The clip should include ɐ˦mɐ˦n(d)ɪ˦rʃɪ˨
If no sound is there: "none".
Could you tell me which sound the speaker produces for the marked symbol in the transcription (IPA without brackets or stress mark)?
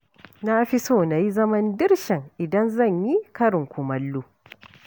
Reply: d